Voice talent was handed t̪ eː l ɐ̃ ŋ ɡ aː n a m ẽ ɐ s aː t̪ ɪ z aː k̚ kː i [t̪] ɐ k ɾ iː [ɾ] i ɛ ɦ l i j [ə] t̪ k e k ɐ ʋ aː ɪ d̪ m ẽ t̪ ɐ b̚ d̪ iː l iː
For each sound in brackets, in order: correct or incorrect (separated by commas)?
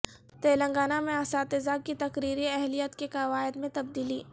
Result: correct, correct, correct